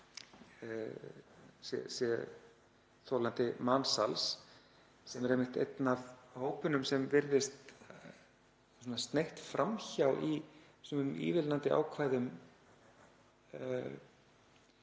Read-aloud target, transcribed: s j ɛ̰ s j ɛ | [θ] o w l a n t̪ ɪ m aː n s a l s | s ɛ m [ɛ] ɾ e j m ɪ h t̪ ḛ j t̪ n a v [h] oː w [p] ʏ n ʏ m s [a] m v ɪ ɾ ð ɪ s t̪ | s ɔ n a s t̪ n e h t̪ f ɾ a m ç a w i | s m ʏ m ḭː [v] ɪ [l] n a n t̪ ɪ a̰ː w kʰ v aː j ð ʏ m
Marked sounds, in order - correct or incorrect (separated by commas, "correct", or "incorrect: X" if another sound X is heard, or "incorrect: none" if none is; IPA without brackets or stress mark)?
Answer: correct, correct, correct, correct, incorrect: ɛ, correct, correct